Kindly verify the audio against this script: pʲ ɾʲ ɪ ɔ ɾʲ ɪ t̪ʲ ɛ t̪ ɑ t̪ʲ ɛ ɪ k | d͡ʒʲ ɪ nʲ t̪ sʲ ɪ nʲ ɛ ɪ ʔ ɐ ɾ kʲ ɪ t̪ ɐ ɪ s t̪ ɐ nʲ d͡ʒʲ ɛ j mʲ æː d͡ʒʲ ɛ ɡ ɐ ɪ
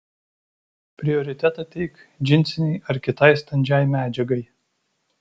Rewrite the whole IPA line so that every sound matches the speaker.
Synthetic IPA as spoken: pʲ ɾʲ ɪ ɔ ɾʲ ɪ t̪ʲ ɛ t̪ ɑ t̪ʲ ɛ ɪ k | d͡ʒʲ ɪ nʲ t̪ sʲ ɪ nʲ ɛ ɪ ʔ ɐ ɾ kʲ ɪ t̪ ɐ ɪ s t̪ ɐ nʲ d͡ʒʲ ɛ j mʲ æː d͡ʒʲ ɛ ɡ ɐ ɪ

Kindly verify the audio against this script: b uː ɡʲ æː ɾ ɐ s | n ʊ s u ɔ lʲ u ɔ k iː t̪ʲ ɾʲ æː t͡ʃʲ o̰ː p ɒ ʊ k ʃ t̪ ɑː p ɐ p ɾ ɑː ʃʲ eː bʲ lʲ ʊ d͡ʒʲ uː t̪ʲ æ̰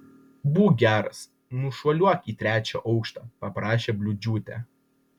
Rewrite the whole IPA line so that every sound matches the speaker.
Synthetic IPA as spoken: b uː ɡʲ æː ɾ ɐ s | n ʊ ʃ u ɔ lʲ u ɔ k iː t̪ʲ ɾʲ æː t͡ʃʲ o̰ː ʔ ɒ ʊ k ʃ t̪ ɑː p ɐ p ɾ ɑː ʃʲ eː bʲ lʲ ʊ d͡ʒʲ uː t̪ʲ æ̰

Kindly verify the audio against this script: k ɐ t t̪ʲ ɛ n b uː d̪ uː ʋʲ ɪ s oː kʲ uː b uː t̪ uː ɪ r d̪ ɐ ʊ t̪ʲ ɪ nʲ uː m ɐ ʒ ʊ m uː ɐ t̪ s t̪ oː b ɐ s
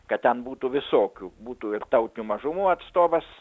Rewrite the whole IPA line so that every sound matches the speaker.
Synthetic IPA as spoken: k ɐ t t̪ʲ ɛ n b uː t̪ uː ʋʲ ɪ s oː kʲ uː b uː t̪ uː ɪ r t̪ ɐ ʊ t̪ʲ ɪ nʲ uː m ɐ ʒ ʊ m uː ɐ t̪ s t̪ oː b ɐ s

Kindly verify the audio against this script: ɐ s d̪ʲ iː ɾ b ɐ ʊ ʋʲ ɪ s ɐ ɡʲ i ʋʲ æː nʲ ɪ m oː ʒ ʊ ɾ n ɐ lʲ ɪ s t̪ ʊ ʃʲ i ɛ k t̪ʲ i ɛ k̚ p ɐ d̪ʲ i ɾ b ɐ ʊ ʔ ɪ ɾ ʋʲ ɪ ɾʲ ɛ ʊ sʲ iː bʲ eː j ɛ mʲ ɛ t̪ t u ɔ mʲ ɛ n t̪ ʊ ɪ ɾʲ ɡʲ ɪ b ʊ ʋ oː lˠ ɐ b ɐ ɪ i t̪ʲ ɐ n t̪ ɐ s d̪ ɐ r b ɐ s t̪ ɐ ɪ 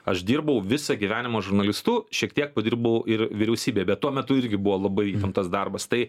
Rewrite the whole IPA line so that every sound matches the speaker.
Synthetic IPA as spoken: ɐ ʃ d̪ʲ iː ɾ b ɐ ʊ ʋʲ ɪ s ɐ ɡʲ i ʋʲ æː nʲ ɪ m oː ʒ ʊ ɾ n ɐ lʲ ɪ s t̪ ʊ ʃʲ i ɛ k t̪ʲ i ɛ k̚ p ɐ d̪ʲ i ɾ b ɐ ʊ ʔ ɪ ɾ ʋʲ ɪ ɾʲ ɛ ʊ sʲ iː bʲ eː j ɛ bʲ ɛ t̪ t u ɔ mʲ ɛ t̪ ʊ ɪ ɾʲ ɡʲ ɪ b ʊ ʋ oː lˠ ɐ b ɐ ɪ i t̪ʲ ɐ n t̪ ɐ s d̪ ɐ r b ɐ s t̪ ɐ ɪ

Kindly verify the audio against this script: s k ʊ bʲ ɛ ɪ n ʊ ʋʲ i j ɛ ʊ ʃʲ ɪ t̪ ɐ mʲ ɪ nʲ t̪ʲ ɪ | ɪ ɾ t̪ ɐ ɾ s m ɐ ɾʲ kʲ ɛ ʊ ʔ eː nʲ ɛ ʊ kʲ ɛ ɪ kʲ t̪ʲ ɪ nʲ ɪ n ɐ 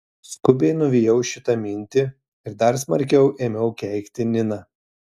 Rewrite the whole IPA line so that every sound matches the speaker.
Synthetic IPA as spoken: s k ʊ bʲ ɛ ɪ n ʊ ʋʲ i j ɛ ʊ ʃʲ ɪ t̪ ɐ mʲ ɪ nʲ t̪ʲ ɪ | ɪ ɾ d̪ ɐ ɾ s m ɐ ɾʲ kʲ ɛ ʊ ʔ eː mʲ ɛ ʊ kʲ ɛ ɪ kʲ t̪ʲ ɪ nʲ ɪ n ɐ

